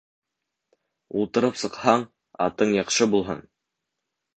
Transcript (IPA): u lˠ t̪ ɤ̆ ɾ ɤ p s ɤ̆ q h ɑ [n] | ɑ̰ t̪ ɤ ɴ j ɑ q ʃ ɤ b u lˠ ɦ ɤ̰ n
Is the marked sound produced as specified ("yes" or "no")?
no